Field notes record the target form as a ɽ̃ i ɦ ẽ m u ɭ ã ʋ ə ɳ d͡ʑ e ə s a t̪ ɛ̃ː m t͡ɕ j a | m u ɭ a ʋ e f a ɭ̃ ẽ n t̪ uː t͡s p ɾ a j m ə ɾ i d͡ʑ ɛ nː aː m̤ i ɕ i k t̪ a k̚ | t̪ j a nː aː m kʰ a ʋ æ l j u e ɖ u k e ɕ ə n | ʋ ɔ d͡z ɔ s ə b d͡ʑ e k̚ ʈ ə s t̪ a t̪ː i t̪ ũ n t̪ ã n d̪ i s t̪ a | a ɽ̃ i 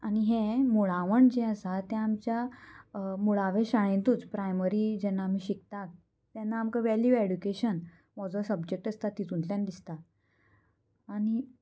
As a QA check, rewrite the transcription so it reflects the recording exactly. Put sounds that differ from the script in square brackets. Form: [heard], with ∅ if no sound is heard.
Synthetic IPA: a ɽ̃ i ɦ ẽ m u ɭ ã ʋ ə ɳ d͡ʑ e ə s a t̪ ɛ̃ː m t͡ɕ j a | m u ɭ a ʋ e [ɕ] a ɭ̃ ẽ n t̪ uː t͡s p ɾ a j m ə ɾ i d͡ʑ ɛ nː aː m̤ i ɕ i k t̪ a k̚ | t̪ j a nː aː m [k] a ʋ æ l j u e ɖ u k e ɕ ə n | ʋ ɔ d͡z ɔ s ə b d͡ʑ e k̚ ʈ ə s t̪ a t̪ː i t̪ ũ n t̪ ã n d̪ i s t̪ a | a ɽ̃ i